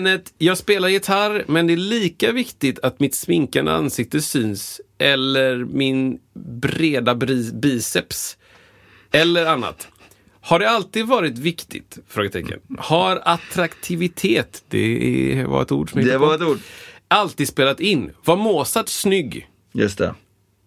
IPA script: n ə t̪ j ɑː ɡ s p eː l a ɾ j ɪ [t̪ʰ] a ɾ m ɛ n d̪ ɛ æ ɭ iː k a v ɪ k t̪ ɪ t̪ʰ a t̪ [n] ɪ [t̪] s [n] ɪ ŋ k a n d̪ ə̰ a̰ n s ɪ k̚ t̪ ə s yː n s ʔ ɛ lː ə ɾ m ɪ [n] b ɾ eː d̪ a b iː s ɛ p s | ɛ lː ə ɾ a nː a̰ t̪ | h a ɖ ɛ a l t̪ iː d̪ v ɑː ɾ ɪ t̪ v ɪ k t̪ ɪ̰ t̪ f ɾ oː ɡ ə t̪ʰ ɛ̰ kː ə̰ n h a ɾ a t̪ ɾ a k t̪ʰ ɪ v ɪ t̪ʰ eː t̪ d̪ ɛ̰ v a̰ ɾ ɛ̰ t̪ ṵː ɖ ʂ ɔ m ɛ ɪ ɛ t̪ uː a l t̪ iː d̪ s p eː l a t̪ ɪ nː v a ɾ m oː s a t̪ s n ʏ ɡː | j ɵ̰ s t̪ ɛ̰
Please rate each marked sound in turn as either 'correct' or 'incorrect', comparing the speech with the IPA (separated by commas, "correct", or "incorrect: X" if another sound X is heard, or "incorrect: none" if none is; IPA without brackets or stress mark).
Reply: correct, incorrect: m, correct, incorrect: m, correct